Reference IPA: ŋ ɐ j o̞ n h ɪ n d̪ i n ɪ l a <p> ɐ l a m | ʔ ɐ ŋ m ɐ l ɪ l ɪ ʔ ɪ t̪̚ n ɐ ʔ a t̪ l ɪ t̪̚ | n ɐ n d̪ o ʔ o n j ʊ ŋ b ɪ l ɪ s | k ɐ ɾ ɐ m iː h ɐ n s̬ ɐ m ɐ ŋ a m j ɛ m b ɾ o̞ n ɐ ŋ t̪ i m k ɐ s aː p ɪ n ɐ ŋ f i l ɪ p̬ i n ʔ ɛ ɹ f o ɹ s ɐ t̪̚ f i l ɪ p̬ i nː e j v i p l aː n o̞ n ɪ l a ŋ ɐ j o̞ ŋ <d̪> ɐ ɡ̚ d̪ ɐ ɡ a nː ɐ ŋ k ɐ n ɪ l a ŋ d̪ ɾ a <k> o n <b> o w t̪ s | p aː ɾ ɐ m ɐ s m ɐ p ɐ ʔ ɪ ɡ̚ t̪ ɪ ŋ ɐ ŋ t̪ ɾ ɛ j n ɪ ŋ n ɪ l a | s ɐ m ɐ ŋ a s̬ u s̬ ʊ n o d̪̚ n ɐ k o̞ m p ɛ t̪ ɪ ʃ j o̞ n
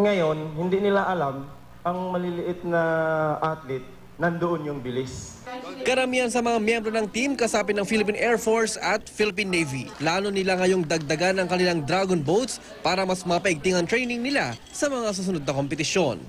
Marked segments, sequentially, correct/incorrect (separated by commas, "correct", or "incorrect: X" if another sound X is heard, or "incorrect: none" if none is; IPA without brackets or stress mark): incorrect: ʔ, correct, incorrect: ɡ, correct